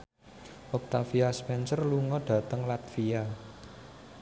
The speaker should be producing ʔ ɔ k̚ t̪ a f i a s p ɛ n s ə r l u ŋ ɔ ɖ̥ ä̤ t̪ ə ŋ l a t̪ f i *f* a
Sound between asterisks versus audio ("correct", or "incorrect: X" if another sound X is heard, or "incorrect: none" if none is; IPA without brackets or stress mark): incorrect: none